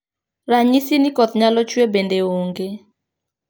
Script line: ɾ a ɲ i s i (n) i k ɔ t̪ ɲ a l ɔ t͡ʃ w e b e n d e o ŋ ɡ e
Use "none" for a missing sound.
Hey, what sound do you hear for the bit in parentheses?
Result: n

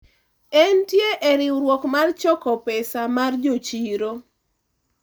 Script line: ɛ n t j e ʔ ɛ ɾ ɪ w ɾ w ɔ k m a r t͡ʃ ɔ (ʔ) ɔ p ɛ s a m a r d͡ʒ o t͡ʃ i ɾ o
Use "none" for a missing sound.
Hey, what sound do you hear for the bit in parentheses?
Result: k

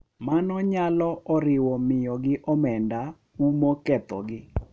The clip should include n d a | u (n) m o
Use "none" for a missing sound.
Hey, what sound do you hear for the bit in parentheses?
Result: none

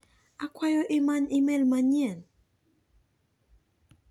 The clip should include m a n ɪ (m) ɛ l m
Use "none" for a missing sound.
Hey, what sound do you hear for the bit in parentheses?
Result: m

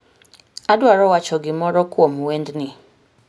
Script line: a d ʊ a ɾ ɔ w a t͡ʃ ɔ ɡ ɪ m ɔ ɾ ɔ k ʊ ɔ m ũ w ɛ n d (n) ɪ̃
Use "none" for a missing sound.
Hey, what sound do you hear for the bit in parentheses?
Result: n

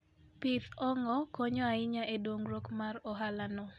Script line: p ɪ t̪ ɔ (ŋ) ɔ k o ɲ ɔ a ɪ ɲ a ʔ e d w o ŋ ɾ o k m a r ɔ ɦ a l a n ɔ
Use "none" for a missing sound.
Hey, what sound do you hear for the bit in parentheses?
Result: ŋ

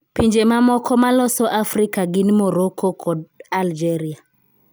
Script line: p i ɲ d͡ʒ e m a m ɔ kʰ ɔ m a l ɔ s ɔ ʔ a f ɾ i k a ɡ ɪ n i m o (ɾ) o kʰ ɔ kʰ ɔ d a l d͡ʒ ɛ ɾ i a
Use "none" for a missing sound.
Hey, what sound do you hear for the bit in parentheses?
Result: ɾ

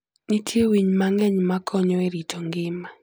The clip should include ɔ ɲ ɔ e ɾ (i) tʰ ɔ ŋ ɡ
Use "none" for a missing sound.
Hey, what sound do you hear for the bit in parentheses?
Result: i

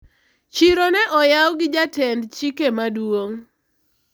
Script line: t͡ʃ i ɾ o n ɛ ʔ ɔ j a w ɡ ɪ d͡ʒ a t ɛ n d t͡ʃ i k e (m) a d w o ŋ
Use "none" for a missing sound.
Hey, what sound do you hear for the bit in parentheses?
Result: m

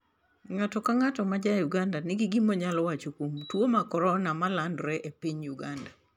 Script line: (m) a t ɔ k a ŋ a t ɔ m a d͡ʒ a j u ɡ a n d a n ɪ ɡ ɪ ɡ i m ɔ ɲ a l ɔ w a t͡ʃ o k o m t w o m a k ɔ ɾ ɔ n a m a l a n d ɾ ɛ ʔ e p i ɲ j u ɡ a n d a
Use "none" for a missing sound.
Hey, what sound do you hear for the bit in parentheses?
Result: ŋ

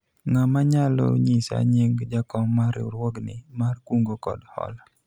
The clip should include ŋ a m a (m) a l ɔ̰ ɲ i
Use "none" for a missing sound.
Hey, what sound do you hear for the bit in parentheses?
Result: ɲ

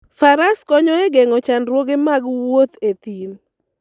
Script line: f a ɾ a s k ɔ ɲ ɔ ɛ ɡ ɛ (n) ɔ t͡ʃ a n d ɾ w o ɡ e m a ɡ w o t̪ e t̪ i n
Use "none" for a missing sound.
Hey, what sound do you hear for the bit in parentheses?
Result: ŋ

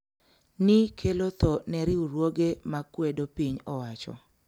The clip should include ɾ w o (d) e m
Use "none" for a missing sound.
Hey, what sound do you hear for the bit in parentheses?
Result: ɡ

